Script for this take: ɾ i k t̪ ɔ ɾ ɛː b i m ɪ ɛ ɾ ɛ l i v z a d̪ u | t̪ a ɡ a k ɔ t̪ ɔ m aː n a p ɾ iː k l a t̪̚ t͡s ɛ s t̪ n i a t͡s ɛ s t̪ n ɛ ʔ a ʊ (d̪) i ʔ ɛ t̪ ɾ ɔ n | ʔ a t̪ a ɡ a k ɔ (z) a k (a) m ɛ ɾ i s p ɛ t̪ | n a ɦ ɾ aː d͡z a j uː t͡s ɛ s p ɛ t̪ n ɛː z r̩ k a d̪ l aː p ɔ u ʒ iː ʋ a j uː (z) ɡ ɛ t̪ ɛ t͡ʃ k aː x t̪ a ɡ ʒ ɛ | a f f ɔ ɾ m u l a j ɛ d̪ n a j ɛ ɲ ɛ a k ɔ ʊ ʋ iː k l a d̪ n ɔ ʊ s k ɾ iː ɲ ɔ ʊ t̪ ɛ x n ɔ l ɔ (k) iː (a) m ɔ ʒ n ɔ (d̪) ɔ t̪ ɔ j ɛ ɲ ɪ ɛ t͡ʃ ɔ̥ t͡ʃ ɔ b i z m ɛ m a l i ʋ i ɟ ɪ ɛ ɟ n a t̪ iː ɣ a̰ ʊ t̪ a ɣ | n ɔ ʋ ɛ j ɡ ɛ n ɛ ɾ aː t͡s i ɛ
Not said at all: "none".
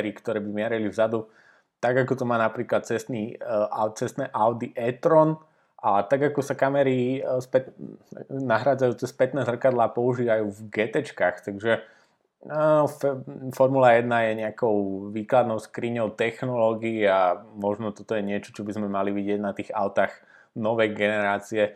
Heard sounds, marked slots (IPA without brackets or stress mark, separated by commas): d̪, s, a, v, ɡ, a, t̪